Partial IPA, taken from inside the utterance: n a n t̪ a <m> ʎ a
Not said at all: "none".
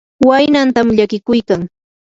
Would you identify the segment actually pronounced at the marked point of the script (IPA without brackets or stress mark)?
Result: m